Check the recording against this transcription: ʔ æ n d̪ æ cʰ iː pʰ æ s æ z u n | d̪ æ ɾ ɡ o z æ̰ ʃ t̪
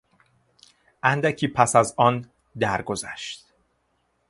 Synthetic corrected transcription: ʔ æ n d̪ æ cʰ iː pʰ æ s æ z ɒ n | d̪ æ ɾ ɡ o z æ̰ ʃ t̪